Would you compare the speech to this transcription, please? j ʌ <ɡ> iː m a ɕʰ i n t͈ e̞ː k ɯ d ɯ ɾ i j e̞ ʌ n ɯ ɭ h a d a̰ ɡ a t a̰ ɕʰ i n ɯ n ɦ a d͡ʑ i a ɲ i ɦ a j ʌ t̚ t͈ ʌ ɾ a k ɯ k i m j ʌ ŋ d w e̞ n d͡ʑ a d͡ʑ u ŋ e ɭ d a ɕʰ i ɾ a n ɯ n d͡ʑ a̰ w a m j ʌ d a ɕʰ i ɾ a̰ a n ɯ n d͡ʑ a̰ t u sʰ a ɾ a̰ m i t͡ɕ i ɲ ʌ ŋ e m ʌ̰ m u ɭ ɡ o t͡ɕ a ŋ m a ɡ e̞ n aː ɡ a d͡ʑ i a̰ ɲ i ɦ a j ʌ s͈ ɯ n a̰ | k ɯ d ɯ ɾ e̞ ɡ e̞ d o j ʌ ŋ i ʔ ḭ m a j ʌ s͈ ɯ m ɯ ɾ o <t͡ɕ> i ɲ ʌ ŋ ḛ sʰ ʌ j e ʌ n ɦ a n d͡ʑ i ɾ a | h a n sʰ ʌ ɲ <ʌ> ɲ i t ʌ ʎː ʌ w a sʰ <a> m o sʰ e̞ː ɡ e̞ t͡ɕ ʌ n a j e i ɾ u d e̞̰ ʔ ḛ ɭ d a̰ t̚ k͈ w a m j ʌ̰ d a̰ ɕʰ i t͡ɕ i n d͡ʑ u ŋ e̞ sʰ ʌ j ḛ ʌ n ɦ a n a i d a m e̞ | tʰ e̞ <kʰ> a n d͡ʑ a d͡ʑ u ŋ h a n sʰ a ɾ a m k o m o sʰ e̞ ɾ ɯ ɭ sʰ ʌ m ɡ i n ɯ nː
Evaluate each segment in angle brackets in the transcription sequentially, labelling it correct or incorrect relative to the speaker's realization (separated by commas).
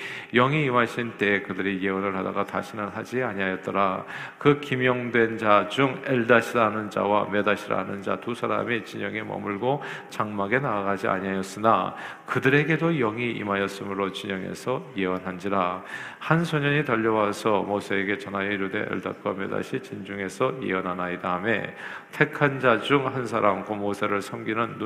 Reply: incorrect, correct, correct, incorrect, correct